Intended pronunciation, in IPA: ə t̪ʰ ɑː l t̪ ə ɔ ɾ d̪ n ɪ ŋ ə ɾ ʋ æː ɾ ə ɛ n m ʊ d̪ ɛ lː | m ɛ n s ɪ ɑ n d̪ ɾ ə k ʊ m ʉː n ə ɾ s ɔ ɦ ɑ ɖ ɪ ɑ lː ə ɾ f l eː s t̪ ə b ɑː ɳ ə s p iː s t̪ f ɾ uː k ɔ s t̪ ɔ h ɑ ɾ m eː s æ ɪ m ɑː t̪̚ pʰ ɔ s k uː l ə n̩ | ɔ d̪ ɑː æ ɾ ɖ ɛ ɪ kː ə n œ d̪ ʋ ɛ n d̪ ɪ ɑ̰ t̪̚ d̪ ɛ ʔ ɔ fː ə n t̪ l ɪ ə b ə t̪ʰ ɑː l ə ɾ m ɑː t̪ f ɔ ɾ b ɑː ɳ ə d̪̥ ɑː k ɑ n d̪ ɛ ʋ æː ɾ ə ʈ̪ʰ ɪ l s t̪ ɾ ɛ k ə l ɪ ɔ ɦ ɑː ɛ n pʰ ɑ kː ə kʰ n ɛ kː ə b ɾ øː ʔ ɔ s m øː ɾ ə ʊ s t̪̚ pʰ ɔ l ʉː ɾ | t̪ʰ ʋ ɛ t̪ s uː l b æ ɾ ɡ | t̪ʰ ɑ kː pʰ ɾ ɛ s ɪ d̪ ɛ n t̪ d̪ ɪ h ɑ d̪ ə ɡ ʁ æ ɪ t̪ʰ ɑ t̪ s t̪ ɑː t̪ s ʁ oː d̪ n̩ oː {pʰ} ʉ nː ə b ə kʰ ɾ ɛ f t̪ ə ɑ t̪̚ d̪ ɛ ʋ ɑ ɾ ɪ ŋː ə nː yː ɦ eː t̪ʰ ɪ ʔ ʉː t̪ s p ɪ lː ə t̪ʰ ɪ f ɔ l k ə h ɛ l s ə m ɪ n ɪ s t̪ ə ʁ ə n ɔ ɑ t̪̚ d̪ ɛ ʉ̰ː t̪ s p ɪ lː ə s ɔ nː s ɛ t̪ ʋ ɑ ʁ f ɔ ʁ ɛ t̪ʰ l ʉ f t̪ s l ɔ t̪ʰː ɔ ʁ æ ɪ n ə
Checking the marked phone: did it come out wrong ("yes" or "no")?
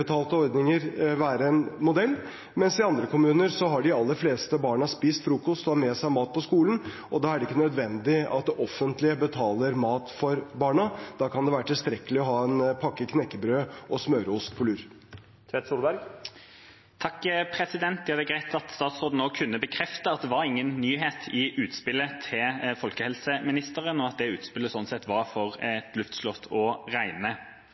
yes